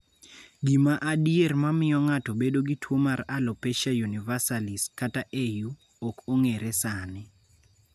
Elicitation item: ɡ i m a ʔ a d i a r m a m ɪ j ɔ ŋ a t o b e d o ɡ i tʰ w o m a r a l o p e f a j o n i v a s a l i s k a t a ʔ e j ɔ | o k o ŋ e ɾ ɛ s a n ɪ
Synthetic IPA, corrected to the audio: ɡ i m a ʔ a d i e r m a m ɪ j ɔ ŋ a t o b e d o ɡ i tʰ w o m a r a l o p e ʃ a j u n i v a s a l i s k a t a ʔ e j u | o k o ŋ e ɾ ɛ s a n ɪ